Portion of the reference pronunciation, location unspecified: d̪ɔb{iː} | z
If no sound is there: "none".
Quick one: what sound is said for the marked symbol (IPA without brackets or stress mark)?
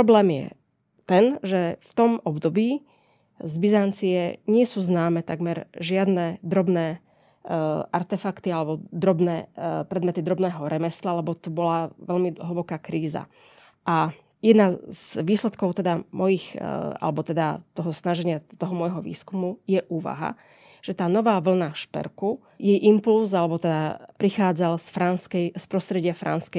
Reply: iː